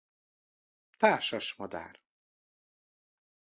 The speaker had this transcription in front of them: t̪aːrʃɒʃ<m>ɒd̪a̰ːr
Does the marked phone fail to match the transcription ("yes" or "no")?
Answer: no